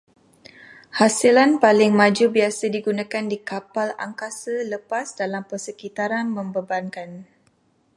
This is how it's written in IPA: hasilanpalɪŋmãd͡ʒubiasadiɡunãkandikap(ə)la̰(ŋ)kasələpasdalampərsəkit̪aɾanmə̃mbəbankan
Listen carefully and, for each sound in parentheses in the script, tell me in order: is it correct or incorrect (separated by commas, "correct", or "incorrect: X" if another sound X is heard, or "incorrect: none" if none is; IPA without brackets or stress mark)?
incorrect: a, correct